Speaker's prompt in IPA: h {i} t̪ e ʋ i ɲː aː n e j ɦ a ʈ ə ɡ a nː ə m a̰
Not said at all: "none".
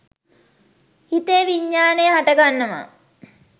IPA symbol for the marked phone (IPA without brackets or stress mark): i